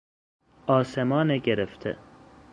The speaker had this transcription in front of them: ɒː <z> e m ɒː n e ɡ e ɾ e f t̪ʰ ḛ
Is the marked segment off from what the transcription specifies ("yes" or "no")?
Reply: yes